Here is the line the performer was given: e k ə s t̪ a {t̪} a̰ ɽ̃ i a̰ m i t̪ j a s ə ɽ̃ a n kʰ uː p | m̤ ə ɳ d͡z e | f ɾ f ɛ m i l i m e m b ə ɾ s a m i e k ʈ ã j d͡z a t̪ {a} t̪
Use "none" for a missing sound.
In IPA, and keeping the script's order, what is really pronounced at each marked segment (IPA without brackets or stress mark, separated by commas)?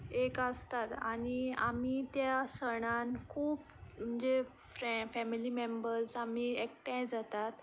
t̪, a